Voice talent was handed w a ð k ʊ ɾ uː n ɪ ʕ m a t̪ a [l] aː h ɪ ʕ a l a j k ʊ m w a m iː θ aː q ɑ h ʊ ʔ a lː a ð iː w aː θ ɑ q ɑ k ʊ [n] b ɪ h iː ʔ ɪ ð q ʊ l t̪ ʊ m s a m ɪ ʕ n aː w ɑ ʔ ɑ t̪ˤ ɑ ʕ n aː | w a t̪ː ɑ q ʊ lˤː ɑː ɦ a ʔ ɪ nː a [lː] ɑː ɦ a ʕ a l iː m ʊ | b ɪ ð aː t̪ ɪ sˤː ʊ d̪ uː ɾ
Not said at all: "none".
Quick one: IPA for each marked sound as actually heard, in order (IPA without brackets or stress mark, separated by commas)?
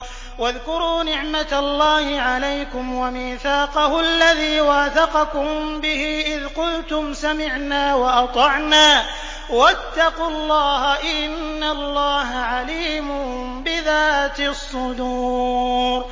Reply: lː, m, lː